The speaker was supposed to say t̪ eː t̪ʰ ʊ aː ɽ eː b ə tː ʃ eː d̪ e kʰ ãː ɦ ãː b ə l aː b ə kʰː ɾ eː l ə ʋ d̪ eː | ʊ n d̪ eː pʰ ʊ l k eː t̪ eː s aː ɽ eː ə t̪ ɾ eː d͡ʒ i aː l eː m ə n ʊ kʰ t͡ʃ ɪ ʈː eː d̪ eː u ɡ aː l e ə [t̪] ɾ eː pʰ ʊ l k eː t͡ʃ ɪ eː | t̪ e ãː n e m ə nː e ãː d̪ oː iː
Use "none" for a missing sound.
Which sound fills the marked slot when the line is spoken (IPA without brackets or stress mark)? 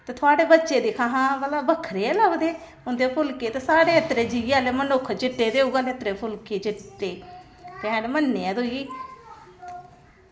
t̪